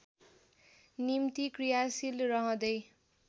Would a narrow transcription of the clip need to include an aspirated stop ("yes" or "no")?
no